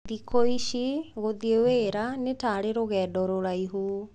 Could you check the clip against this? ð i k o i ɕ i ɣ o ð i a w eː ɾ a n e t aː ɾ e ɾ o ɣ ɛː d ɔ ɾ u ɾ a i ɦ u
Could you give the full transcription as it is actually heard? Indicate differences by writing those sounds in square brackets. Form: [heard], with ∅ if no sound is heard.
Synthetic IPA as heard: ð i k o i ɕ i ɣ o ð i [e] w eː ɾ a n e t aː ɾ e ɾ o ɣ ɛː d ɔ ɾ [o] ɾ a i ɦ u